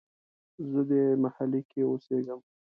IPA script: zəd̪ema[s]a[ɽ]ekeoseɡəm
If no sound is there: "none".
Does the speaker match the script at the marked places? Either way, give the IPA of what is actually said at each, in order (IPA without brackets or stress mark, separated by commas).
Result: h, l